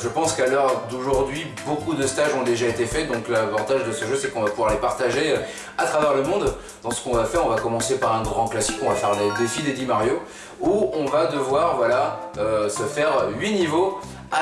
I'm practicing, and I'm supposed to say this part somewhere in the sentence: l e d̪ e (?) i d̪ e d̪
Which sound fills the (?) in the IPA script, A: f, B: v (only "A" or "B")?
A